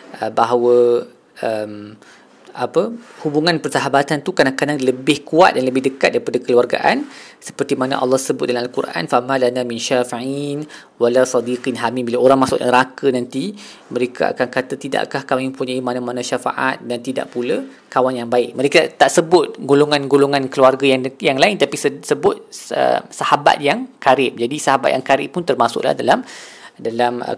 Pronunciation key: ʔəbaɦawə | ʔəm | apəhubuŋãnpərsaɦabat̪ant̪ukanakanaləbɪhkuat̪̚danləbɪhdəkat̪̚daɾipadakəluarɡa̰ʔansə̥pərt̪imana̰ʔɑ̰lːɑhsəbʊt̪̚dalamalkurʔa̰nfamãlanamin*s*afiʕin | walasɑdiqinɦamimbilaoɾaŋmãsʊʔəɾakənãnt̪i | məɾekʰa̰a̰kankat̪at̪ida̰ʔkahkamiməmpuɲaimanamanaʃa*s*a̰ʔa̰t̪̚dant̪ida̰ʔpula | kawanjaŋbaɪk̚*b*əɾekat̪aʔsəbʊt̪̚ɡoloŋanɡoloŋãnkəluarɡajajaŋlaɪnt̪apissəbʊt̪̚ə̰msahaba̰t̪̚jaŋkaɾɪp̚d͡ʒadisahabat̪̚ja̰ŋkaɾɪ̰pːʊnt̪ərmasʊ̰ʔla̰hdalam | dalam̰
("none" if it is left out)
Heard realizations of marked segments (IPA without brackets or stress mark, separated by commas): ʃ, f, m